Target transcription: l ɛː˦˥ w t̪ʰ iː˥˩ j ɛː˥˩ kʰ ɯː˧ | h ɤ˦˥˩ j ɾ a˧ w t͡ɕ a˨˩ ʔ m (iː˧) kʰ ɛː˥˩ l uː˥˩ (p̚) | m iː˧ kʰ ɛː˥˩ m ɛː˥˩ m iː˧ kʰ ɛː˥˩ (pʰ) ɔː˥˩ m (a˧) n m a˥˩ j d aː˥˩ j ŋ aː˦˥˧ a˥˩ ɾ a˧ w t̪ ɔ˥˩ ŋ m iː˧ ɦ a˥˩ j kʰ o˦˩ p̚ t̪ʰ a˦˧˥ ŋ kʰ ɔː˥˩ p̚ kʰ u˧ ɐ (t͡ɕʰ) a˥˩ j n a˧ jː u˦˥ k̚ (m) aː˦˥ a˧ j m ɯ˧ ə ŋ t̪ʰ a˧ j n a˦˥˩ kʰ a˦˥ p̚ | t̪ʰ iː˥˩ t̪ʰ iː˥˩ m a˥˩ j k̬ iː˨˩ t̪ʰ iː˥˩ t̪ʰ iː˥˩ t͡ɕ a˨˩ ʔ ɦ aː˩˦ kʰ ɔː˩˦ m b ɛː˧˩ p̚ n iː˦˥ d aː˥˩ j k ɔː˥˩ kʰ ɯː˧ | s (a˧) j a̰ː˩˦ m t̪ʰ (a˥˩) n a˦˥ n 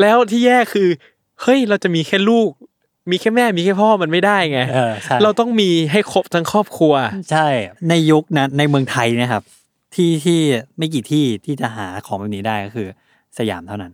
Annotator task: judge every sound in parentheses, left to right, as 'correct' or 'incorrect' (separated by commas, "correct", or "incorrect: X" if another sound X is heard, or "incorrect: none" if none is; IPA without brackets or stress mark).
correct, incorrect: k̚, correct, correct, correct, incorrect: n, correct, correct